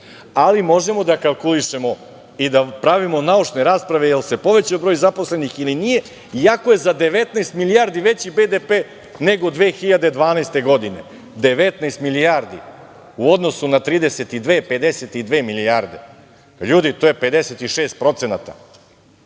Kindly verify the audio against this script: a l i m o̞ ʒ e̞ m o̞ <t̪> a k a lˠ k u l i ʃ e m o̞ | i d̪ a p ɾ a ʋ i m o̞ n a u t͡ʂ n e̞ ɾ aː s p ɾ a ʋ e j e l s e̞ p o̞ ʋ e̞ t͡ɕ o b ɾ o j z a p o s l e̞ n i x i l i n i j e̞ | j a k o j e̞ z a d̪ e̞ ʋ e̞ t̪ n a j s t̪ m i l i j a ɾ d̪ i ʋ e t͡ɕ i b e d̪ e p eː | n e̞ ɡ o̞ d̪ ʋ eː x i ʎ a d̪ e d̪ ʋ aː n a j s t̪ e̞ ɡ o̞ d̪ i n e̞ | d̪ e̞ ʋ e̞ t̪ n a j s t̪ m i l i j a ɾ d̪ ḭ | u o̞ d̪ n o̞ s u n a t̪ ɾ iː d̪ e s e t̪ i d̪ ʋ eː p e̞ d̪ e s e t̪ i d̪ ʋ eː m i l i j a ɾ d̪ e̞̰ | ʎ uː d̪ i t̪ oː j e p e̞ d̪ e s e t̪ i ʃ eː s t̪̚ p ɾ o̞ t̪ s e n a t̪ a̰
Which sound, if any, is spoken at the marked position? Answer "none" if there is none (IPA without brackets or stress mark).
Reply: d̪